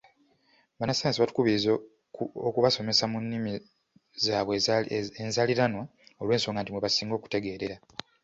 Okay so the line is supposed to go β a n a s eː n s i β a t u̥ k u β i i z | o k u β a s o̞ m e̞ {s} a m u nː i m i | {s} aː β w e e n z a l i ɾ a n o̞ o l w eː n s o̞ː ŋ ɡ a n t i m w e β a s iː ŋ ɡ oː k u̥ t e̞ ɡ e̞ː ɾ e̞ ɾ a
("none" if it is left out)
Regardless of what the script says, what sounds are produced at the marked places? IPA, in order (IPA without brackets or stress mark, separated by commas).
s, z